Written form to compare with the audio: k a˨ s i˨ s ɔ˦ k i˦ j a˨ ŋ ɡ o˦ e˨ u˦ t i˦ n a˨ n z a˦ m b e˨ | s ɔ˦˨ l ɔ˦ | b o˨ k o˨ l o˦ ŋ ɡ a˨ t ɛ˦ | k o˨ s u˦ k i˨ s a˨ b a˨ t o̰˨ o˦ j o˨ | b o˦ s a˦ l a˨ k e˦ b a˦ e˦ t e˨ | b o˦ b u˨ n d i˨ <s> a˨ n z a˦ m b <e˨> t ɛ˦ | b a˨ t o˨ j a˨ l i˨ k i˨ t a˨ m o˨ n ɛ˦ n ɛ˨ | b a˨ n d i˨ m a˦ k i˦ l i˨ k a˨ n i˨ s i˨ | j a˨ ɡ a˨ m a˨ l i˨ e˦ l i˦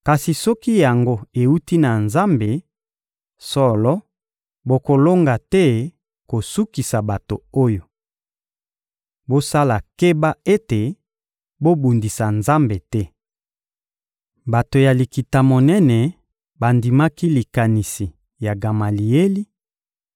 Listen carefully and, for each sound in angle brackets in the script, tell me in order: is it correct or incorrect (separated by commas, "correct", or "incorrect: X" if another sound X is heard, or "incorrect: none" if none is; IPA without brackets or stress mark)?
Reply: correct, correct